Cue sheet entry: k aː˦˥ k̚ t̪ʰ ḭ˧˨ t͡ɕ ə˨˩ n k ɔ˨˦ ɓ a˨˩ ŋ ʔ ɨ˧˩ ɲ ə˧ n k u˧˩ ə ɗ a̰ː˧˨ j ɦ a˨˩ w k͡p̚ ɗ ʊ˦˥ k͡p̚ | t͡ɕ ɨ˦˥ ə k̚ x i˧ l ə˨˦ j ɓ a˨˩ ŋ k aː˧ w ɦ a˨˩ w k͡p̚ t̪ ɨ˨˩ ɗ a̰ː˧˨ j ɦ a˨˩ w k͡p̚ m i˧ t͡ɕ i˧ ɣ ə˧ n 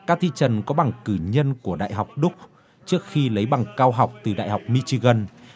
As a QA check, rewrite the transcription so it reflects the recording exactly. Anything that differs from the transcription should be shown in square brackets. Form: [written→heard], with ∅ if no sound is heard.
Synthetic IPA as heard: k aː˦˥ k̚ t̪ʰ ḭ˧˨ t͡ɕ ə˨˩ n k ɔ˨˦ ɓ a˨˩ ŋ [ʔ→k] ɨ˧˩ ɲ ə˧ n k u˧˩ ə ɗ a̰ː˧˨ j ɦ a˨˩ w k͡p̚ ɗ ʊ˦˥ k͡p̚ | t͡ɕ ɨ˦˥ ə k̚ x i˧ l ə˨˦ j ɓ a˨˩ ŋ k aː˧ w ɦ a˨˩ w k͡p̚ t̪ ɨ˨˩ ɗ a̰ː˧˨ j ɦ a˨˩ w k͡p̚ m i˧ t͡ɕ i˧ ɣ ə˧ n